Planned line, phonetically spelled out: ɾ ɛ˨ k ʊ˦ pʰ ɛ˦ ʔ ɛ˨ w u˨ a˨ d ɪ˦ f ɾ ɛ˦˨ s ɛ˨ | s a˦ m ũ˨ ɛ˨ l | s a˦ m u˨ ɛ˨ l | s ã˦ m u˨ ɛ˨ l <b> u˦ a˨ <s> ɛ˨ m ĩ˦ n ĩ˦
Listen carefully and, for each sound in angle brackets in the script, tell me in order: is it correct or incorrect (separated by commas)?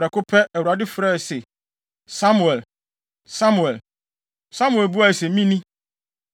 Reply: correct, correct